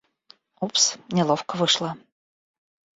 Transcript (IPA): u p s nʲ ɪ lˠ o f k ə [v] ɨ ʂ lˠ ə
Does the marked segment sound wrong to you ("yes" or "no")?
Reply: no